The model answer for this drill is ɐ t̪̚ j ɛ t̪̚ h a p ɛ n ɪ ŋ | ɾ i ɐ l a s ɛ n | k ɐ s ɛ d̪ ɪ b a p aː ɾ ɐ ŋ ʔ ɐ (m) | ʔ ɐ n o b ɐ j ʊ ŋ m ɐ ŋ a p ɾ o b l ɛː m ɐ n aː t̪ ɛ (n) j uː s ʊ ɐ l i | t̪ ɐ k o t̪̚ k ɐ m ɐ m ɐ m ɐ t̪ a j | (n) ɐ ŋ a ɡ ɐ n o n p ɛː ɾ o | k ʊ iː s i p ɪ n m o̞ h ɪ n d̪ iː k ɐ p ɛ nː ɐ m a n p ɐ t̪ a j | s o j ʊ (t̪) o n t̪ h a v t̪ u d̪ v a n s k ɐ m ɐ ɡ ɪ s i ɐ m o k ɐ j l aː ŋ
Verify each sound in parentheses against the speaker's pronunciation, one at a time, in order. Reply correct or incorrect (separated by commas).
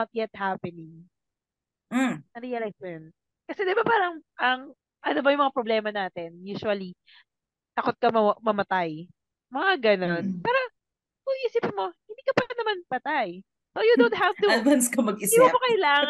incorrect, correct, incorrect, incorrect